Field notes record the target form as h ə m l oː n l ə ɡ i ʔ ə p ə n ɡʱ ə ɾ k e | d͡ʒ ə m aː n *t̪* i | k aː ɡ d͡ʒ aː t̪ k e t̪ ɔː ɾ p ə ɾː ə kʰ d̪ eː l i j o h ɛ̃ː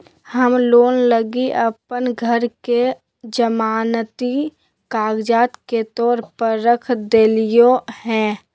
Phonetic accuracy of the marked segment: correct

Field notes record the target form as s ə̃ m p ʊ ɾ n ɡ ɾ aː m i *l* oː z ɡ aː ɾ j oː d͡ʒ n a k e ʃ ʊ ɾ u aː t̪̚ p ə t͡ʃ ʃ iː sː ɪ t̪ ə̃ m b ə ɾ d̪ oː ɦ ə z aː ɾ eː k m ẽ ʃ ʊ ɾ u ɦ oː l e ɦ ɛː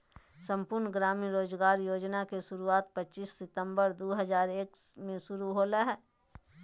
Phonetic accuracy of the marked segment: incorrect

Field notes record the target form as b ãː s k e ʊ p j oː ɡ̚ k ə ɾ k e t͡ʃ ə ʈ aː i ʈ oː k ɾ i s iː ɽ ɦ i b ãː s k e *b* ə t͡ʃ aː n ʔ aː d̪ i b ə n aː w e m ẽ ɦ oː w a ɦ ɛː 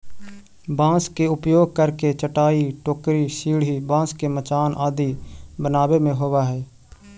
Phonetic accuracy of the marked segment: incorrect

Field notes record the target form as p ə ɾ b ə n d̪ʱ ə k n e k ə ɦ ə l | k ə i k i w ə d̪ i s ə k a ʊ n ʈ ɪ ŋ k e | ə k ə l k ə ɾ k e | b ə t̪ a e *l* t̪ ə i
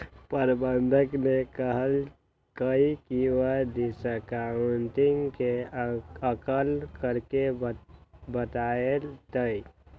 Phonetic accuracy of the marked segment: correct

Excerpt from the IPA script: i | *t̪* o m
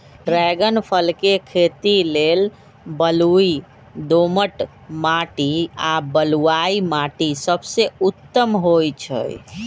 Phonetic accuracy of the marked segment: incorrect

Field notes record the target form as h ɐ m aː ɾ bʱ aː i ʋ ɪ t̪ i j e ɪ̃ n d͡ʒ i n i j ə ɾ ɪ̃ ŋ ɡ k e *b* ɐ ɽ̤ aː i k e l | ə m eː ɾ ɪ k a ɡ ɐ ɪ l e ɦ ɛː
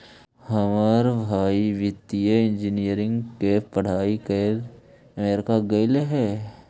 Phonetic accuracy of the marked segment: incorrect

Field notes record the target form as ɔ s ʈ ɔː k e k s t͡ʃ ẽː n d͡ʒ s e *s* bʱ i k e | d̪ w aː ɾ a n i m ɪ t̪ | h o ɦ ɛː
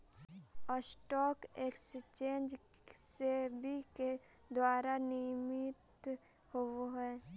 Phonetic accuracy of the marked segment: incorrect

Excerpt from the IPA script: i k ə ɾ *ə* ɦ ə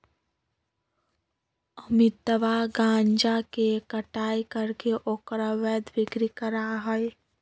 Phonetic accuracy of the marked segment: incorrect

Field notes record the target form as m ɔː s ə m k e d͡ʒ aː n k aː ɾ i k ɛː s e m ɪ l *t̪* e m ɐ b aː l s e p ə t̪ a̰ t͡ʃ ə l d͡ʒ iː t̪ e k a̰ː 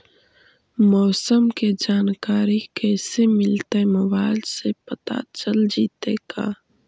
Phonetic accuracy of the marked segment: correct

